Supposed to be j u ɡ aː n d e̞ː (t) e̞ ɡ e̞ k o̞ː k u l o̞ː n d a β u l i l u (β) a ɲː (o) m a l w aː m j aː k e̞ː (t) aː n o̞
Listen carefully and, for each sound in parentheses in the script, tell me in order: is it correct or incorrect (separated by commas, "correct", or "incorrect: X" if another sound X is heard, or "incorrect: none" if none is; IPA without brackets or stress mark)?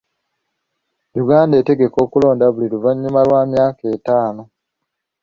correct, incorrect: v, incorrect: u, correct